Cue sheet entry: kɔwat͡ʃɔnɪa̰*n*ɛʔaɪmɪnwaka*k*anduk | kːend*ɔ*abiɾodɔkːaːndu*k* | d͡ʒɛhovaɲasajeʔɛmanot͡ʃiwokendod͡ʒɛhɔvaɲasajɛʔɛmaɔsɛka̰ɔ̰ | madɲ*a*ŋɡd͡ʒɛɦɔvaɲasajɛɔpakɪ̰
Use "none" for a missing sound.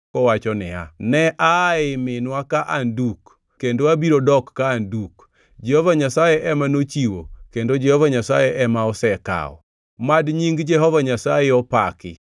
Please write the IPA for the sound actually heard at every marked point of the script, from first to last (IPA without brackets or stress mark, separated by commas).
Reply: n, ʔ, o, k, i